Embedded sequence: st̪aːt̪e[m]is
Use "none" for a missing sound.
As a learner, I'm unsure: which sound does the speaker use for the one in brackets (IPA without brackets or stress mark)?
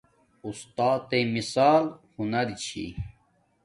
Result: m